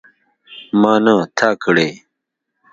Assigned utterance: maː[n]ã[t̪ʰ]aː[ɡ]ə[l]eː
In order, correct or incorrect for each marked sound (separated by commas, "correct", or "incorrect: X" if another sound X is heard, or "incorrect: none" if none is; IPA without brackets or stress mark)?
correct, correct, incorrect: k, incorrect: ɽ